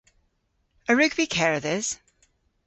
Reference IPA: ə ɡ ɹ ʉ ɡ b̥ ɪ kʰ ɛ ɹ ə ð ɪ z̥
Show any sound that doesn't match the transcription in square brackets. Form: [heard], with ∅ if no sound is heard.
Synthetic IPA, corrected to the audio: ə [∅] ɹ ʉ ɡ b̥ [i] kʰ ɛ ɹ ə ð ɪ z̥